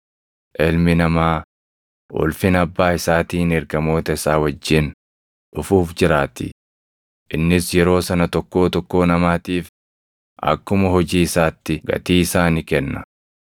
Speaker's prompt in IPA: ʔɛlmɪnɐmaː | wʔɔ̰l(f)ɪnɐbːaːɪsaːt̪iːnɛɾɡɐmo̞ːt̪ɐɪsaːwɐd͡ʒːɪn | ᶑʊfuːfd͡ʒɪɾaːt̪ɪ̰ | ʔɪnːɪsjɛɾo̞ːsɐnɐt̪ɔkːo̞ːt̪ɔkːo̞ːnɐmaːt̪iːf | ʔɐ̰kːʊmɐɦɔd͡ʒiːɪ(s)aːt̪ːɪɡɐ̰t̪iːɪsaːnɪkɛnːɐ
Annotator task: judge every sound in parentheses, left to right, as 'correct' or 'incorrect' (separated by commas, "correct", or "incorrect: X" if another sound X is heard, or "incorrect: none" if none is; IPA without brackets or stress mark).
correct, correct